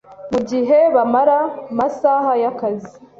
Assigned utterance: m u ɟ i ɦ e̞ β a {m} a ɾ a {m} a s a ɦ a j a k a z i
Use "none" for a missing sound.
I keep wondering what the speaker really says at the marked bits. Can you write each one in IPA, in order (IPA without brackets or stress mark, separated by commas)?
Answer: m, m